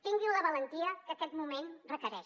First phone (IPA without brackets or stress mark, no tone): t̪